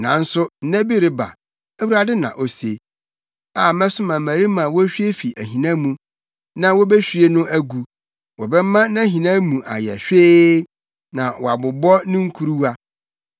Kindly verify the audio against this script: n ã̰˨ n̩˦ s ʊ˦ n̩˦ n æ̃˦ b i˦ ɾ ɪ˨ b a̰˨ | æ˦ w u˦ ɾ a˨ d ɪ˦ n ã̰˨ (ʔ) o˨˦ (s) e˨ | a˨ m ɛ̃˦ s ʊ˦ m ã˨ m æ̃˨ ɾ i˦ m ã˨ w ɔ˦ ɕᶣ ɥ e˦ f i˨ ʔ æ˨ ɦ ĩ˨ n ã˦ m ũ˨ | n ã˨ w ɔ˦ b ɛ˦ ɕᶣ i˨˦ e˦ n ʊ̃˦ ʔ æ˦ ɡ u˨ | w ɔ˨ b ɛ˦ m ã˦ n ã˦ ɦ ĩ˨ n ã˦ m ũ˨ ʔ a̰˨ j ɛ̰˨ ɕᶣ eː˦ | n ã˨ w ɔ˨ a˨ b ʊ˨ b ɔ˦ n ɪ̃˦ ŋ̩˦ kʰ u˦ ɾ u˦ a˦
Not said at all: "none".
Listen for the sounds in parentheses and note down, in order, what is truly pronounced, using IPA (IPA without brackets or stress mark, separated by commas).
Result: ʔ, s